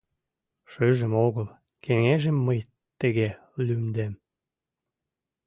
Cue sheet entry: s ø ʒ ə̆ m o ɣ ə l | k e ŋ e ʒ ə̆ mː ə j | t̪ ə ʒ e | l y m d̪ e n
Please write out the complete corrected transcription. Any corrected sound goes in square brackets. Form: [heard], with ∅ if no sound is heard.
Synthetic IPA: [ʃ] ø ʒ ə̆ m o ɣ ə l | k e ŋ e ʒ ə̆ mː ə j | t̪ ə [ɣ] e | l y m d̪ e [m]